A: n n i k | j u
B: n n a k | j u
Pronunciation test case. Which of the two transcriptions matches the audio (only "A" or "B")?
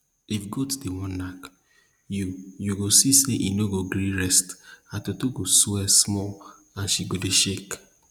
B